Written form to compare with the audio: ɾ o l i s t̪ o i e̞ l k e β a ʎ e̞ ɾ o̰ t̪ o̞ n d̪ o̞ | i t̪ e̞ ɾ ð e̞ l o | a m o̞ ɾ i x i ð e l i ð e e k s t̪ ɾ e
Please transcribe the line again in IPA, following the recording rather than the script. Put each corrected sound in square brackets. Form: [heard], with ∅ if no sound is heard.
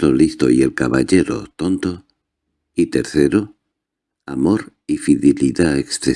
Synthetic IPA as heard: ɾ o l i s t̪ o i e̞ l k [a] β a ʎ e̞ ɾ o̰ t̪ o̞ n [t̪] o̞ | i t̪ e̞ ɾ [θ] e̞ [ɾ] o | a m o̞ ɾ i [f] i ð e l i ð [a] e k s t̪ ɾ e